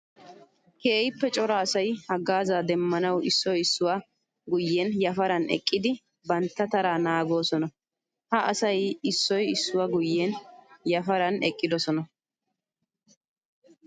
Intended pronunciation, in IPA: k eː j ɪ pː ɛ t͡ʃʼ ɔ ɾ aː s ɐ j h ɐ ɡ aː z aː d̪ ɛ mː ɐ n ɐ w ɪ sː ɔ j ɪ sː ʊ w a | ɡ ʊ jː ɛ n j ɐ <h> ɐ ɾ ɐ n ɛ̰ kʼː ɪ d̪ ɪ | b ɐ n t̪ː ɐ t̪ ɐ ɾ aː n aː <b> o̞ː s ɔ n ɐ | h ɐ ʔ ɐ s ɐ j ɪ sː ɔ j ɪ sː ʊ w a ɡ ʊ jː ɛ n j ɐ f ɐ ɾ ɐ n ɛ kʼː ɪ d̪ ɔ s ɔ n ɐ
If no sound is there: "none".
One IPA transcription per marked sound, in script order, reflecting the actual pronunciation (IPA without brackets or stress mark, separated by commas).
f, ɡ